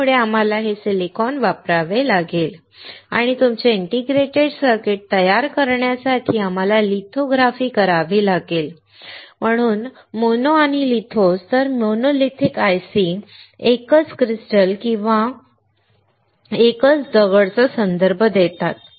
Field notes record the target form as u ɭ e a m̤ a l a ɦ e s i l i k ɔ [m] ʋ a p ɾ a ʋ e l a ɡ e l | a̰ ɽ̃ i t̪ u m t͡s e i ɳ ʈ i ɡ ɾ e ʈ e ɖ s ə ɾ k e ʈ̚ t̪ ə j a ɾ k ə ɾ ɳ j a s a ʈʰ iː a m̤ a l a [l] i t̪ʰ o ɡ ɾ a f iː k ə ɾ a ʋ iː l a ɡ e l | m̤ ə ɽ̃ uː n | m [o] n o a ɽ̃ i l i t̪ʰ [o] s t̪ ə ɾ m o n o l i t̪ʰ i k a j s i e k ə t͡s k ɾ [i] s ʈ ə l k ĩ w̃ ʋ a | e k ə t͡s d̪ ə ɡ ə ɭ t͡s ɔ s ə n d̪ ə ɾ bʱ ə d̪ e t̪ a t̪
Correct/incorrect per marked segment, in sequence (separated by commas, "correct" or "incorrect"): incorrect, correct, correct, correct, correct